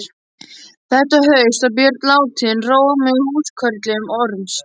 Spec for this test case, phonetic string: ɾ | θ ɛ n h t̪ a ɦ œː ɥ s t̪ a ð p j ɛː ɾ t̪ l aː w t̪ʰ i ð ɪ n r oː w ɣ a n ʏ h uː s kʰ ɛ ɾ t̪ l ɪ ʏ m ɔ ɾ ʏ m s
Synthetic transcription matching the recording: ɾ | θ ɛ h t̪ a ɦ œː ɥ s t̪ a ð p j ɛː ɾ t̪ l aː w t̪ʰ i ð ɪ n r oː w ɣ a m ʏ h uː s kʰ œ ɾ t̪ l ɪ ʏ m ɔ ɾ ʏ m s